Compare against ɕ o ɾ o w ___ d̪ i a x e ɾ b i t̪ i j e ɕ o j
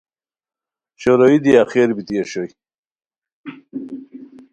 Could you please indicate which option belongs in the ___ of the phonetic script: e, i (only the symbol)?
i